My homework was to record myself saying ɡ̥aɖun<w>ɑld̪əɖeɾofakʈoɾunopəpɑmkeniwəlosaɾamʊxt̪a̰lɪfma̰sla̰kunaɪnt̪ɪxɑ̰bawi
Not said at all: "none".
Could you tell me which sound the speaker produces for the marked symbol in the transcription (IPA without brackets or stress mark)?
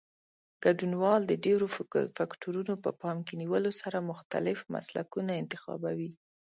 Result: w